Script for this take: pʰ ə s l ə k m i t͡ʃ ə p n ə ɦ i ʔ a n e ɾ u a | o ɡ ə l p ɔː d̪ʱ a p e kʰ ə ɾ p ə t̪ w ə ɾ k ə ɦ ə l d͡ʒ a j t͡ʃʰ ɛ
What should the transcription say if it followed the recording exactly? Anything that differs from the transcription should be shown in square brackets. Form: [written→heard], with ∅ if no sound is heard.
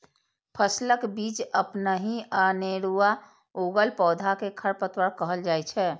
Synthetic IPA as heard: pʰ ə s l ə k [m→b] i t͡ʃ ə p n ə ɦ i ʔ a n e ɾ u a | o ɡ ə l p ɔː d̪ʱ a [p→k] e kʰ ə ɾ p ə t̪ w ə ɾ k ə ɦ ə l d͡ʒ a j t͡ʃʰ ɛ